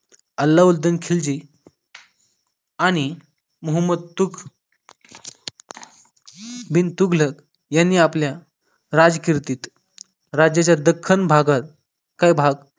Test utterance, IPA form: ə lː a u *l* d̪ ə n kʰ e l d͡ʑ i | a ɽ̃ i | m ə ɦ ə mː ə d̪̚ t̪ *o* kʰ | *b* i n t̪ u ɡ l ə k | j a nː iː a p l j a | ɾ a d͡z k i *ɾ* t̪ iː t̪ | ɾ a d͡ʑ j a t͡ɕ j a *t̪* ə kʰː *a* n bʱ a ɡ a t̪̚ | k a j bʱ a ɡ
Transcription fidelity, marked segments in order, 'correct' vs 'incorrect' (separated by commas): correct, incorrect, correct, correct, incorrect, incorrect